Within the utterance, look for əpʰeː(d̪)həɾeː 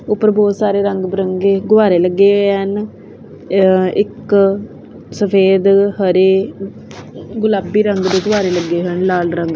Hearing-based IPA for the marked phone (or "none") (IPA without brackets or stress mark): d̪